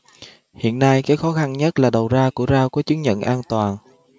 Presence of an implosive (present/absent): present